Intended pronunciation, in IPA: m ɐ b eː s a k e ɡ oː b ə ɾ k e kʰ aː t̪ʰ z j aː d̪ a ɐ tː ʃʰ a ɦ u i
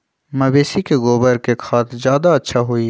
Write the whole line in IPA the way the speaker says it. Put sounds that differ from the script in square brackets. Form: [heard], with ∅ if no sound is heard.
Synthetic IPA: m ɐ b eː s [i] k e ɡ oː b ə ɾ k e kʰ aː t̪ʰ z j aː d̪ a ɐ tː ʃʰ a ɦ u i